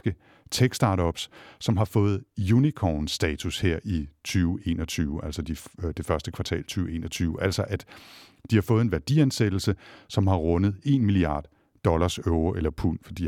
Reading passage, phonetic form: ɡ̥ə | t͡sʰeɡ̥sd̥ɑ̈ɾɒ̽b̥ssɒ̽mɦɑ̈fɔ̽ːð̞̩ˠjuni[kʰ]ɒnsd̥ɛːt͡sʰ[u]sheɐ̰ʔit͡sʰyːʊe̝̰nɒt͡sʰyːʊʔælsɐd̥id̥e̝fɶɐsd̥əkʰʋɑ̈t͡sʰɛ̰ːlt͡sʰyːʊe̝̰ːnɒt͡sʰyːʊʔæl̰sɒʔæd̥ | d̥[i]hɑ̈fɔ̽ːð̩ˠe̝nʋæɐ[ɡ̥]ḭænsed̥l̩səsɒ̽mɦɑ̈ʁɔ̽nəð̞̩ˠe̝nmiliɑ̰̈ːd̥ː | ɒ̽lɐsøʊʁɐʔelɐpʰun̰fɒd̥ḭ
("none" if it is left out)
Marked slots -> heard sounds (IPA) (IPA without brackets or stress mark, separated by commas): kʰ, u, i, d̥